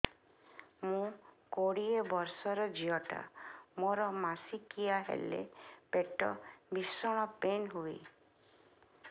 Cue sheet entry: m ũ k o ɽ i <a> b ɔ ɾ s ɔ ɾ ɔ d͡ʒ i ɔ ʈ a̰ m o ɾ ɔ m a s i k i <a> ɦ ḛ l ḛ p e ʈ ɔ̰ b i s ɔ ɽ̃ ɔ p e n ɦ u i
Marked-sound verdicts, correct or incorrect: incorrect: e, correct

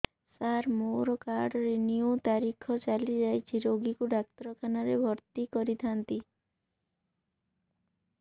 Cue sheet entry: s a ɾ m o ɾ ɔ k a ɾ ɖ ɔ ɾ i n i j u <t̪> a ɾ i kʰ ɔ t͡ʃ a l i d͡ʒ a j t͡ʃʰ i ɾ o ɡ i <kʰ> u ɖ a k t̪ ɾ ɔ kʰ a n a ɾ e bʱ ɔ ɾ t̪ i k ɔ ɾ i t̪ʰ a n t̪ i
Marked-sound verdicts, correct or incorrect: correct, incorrect: k

